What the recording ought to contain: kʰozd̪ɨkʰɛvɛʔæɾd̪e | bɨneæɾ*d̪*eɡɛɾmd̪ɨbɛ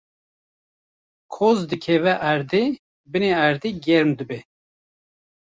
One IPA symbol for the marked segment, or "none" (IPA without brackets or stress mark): d̪